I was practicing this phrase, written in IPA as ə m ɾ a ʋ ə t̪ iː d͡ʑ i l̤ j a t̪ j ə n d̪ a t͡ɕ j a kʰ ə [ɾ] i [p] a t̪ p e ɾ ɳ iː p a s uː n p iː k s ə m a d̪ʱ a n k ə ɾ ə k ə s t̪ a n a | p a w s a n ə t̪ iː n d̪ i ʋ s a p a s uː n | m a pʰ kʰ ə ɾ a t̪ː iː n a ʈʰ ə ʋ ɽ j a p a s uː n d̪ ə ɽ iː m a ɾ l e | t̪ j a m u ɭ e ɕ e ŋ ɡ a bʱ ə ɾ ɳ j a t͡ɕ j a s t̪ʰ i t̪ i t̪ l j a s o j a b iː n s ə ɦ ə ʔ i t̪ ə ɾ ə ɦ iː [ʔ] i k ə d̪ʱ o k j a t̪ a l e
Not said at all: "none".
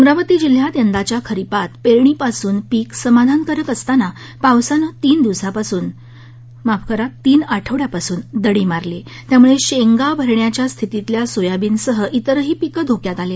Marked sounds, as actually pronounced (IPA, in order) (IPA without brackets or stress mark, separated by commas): ɾ, p, p